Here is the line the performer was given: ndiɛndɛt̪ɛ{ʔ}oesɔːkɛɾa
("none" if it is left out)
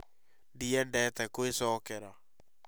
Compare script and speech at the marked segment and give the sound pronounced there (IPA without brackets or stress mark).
k